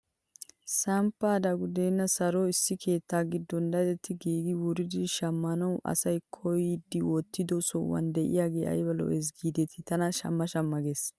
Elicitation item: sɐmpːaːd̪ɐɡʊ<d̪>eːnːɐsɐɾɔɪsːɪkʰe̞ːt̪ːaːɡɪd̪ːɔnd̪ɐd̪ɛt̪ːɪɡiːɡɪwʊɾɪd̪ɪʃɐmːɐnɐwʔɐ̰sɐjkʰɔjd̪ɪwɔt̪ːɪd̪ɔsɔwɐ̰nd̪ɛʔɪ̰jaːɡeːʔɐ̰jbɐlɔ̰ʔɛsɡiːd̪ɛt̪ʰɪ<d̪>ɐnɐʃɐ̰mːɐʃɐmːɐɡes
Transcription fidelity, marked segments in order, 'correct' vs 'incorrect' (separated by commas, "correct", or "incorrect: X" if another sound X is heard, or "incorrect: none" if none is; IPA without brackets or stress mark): correct, incorrect: t̪